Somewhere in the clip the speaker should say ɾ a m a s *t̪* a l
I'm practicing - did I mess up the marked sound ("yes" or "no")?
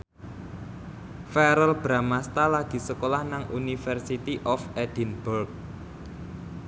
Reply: no